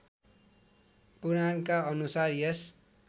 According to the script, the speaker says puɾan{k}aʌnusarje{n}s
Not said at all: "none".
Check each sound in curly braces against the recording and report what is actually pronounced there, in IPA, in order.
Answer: k, none

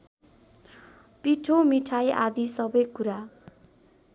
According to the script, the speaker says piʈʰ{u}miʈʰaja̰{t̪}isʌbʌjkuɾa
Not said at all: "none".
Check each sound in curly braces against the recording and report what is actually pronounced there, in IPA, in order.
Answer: o, d̪

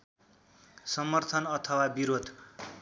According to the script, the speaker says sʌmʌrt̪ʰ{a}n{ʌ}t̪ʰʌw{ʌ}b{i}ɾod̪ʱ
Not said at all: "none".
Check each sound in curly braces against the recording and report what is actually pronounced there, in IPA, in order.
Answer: ʌ, ʌ, a, i

